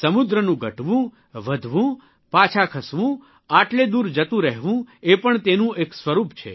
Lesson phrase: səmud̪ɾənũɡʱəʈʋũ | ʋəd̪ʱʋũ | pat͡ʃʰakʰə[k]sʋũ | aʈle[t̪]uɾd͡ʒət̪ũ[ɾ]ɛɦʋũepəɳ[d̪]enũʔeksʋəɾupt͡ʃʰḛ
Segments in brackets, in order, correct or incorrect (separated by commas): incorrect, incorrect, correct, incorrect